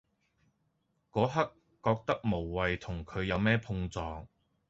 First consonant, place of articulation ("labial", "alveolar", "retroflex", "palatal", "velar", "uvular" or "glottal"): velar